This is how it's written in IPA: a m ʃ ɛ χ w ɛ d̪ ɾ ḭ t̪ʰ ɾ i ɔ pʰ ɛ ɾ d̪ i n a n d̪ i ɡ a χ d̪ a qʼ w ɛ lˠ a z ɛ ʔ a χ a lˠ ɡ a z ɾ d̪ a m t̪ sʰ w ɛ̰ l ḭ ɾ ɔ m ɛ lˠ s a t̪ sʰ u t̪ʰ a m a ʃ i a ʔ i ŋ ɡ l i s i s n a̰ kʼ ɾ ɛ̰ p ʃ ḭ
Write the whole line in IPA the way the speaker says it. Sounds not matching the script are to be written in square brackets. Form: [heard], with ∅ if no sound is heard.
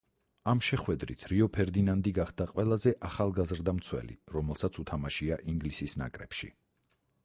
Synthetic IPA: a m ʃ ɛ χ w ɛ d̪ ɾ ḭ t̪ʰ ɾ i ɔ pʰ ɛ ɾ d̪ i n a n d̪ i ɡ a χ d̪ a qʼ w ɛ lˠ a z ɛ ʔ a χ a lˠ ɡ a z ɾ d̪ a m t̪ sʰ w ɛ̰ l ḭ ɾ ɔ m ɛ lˠ s a t̪ sʰ u t̪ʰ a m a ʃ i a ʔ i ŋ ɡ l i s i s n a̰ kʼ ɾ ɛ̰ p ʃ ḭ